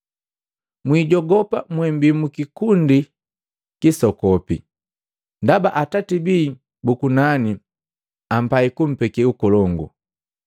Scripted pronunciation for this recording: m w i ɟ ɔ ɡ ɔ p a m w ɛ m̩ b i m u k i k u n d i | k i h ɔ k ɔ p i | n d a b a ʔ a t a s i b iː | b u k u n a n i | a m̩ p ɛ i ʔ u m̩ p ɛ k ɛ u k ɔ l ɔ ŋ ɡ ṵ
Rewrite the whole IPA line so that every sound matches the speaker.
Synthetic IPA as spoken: m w i ɟ ɔ ɡ ɔ p a m w ɛ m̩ b i m u k i k u n d i | k i s ɔ k ɔ p i | n d a b a ʔ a t a t i b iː | b u k u n a n i | a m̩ p a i k u m̩ p ɛ k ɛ u k ɔ l ɔ ŋ ɡ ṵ

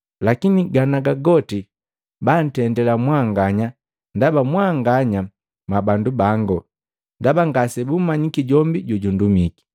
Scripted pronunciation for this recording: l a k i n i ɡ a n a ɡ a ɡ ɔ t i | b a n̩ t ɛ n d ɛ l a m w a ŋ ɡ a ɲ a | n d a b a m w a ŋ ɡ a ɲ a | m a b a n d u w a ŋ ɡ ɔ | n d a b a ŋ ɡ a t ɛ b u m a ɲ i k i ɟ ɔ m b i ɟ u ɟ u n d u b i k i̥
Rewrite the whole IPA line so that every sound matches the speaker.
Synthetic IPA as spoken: l a k i n i ɡ a n a ɡ a ɡ ɔ t i | b a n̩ t ɛ n d ɛ l a m w a ŋ ɡ a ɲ a | n d a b a m w a ŋ ɡ a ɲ a | m a b a n d u b a ŋ ɡ ɔ | n d a b a ŋ ɡ a s ɛ b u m a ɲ i k i ɟ ɔ m b i ɟ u ɟ u n d u m i k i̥

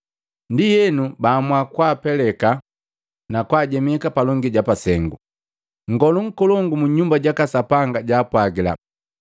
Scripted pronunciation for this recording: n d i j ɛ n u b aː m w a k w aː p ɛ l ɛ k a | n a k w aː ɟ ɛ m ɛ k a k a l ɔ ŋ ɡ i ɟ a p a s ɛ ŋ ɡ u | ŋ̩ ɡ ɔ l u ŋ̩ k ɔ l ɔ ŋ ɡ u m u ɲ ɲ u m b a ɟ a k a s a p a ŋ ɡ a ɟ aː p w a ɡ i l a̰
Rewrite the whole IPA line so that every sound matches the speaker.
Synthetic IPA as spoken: n d i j ɛ n u b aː m w a k w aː p ɛ l ɛ k a | n a k w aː ɟ ɛ m ɛ k a p a l ɔ ŋ ɡ i ɟ a p a s ɛ ŋ ɡ u | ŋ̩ ɡ ɔ l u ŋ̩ k ɔ l ɔ ŋ ɡ u m u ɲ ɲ u m b a ɟ a k a s a p a ŋ ɡ a ɟ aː p w a ɡ i l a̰

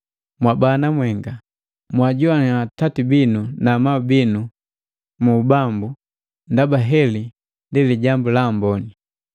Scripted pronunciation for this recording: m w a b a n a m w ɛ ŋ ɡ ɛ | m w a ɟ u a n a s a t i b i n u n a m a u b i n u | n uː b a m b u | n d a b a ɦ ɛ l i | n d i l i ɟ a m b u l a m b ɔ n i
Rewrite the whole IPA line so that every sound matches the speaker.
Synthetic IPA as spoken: m w a b a n a m w ɛ ŋ ɡ a | m w a ɟ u a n a t a t i b i n u n a m a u b i n u | m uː b a m b u | n d a b a ɦ ɛ l i | n d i l i ɟ a m b u l a m b ɔ n i

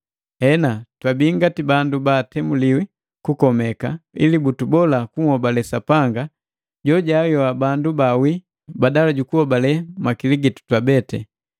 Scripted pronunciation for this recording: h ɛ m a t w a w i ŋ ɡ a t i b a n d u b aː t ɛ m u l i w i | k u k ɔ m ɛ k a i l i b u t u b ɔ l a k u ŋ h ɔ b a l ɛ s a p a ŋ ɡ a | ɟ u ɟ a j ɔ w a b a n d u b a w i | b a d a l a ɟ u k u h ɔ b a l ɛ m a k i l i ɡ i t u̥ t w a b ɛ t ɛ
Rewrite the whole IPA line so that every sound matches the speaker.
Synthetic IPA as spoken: h ɛ n a t w a b i ŋ ɡ a t i b a n d u b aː t ɛ m u l i w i | k u k ɔ m ɛ k a i l i b u t u b ɔ l a k u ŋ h ɔ b a l ɛ s a p a ŋ ɡ a | ɟ ɔ ɟ a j ɔ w a b a n d u b a w i | b a d a l a ɟ u k u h ɔ b a l ɛ m a k i l i ɡ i t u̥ t w a b ɛ t ɛ

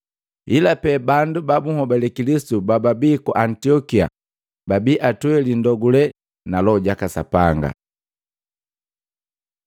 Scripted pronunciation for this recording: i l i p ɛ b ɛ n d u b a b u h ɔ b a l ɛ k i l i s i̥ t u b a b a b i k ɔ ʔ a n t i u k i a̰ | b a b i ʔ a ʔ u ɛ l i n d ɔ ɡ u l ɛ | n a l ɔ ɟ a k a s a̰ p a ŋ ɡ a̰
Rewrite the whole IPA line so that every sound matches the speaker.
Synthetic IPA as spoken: i l a p ɛ b a n d u b a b u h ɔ b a l ɛ k i l i s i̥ t u b a b a b i k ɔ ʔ a n t i ɔ k i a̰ | b a b i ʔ a t u ɛ l i n d ɔ ɡ u l ɛ | n a l ɔ ɟ a k a s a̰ p a ŋ ɡ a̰

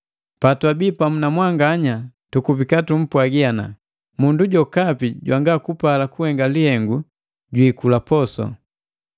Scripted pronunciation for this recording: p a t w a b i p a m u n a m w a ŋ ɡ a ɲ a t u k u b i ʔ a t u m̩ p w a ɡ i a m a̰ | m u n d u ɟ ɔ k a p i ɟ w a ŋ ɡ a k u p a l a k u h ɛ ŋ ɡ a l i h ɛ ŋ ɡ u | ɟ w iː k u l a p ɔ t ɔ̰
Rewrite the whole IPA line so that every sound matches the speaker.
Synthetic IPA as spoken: p a t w a b i p a m u n a m w a ŋ ɡ a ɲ a t u k u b i k a t u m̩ p w a ɡ i a n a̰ | m u n d u ɟ ɔ k a p i ɟ w a ŋ ɡ a k u p a l a k u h ɛ ŋ ɡ a l i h ɛ ŋ ɡ u | ɟ w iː k u l a p ɔ s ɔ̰

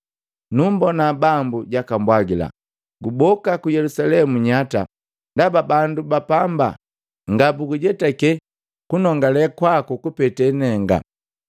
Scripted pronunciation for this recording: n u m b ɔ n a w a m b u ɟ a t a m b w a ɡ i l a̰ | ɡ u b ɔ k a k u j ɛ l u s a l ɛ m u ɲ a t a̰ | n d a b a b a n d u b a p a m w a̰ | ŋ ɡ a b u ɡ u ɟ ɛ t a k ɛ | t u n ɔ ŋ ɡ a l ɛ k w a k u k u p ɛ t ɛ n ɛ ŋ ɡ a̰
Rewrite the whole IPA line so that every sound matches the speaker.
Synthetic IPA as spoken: n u m b ɔ n a b a m b u ɟ a k a m b w a ɡ i l a̰ | ɡ u b ɔ k a k u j ɛ l u s a l ɛ m u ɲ a t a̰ | n d a b a b a n d u b a p a m b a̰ | ŋ ɡ a b u ɡ u ɟ ɛ t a k ɛ | k u n ɔ ŋ ɡ a l ɛ k w a k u k u p ɛ t ɛ n ɛ ŋ ɡ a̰

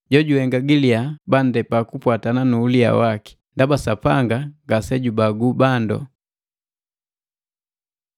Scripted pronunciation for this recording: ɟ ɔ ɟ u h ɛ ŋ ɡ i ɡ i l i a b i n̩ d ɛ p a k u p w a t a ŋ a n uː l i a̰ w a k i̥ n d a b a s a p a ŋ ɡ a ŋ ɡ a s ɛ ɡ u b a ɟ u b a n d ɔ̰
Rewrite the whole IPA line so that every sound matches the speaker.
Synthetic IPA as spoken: ɟ ɔ ɟ u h ɛ ŋ ɡ a ɡ i l i a b a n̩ d ɛ p a k u p w a t a n a n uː l i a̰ w a k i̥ n d a b a s a p a ŋ ɡ a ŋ ɡ a s ɛ ɟ u b a ɡ u b a n d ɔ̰

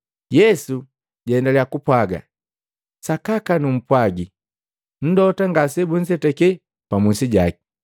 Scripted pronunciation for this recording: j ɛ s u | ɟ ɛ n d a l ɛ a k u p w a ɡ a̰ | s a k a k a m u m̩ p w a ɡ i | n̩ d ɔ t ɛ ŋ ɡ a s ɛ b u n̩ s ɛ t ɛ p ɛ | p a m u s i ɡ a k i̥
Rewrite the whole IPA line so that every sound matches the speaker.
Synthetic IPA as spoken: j ɛ s u | ɟ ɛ n d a l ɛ a k u p w a ɡ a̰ | s a k a k a n u m̩ p w a ɡ i | n̩ d ɔ t a ŋ ɡ a s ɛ b u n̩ s ɛ t ɛ k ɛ | p a m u s i ɟ a k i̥

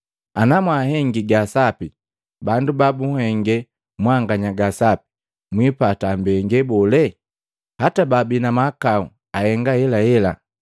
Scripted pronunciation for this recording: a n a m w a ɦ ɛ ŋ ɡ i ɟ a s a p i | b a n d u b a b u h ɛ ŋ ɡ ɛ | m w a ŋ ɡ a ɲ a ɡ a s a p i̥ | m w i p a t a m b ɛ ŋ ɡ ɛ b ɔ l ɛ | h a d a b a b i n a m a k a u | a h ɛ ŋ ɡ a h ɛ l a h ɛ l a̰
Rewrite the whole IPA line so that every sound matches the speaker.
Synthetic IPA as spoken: a n a m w a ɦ ɛ ŋ ɡ i ɡ a s a p i | b a n d u b a b u h ɛ ŋ ɡ ɛ | m w a ŋ ɡ a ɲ a ɡ a s a p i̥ | m w i p a t a m b ɛ ŋ ɡ ɛ b ɔ l ɛ | h a t a b a b i n a m a k a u | a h ɛ ŋ ɡ a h ɛ l a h ɛ l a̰

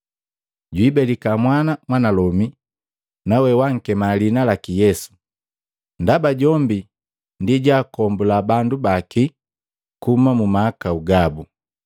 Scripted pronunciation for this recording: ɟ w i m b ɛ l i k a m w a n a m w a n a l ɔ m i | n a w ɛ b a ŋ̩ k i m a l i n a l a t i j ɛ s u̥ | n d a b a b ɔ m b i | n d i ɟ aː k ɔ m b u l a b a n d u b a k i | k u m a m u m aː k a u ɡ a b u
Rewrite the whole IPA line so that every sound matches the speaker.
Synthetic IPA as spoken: ɟ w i b ɛ l i k a m w a n a m w a n a l ɔ m i | n a w ɛ w a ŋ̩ k ɛ m a l i n a l a k i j ɛ s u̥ | n d a b a ɟ ɔ m b i | n d i ɟ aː k ɔ m b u l a b a n d u b a k i | k u m a m u m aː k a u ɡ a b u

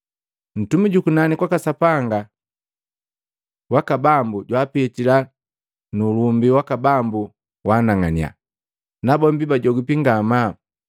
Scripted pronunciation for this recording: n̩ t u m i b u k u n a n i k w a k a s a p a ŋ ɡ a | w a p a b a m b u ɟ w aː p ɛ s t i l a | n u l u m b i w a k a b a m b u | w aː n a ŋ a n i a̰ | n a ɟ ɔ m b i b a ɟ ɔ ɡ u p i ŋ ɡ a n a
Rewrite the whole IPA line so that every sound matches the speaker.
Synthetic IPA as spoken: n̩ t u m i ɟ u k u n a n i k w a k a s a p a ŋ ɡ a | w a k a b a m b u ɟ w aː p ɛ t i l a | n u l u m b i w a k a b a m b u | w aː n a ŋ a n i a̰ | n a b ɔ m b i b a ɟ ɔ ɡ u p i ŋ ɡ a m a

